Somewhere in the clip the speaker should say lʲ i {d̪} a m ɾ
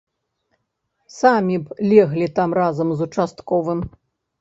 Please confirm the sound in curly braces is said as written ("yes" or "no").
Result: no